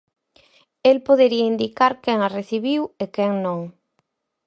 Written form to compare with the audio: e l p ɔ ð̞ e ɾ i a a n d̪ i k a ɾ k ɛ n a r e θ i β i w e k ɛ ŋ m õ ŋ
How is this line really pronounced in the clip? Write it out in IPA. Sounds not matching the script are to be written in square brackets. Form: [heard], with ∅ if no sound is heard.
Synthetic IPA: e l p [o] ð̞ e ɾ i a [i] n d̪ i k a ɾ k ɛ [ŋ] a r e θ i β i w e k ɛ ŋ [n] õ ŋ